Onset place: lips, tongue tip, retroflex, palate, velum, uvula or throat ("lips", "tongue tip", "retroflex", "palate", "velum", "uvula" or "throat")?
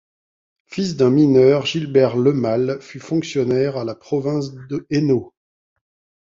lips